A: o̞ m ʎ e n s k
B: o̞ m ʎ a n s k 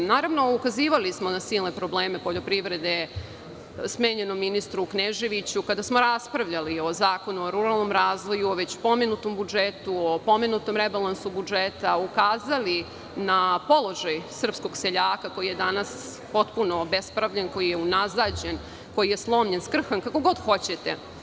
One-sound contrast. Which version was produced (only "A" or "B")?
A